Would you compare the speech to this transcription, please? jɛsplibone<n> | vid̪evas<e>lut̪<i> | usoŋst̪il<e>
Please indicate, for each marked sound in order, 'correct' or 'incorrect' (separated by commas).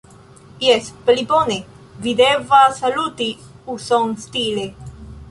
incorrect, incorrect, correct, correct